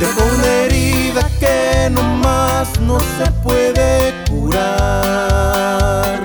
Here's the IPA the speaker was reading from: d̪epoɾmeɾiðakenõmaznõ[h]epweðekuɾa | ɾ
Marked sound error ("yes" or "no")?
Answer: yes